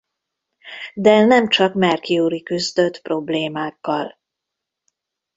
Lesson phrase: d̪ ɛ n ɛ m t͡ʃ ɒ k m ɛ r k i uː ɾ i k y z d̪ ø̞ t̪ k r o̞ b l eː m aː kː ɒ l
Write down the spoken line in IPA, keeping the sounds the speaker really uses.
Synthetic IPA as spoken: d̪ ɛ n ɛ m t͡ʃ ɒ k m ɛ r k i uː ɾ i k y z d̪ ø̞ t̪ p r o̞ b l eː m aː kː ɒ l